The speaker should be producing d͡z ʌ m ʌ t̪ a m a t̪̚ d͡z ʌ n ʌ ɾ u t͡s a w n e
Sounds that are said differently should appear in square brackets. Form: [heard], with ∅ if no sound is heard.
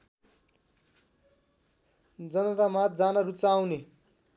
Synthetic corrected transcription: d͡z ʌ [n] ʌ t̪ a m a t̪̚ d͡z [a] n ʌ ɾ u t͡s a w n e